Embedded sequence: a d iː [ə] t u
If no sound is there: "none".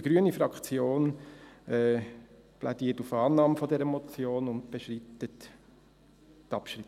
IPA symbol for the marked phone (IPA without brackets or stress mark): ə